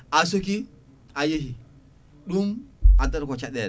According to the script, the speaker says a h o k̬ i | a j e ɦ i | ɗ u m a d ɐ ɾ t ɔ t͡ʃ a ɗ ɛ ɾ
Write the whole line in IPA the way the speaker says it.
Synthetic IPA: a s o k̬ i | a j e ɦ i | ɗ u m a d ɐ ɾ k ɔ t͡ʃ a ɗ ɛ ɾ